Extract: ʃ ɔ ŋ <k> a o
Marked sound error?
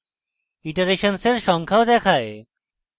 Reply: yes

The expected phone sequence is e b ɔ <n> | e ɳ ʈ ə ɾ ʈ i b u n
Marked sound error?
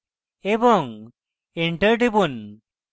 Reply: yes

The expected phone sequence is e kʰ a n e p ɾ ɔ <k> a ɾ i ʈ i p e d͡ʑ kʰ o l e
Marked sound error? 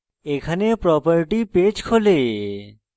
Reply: yes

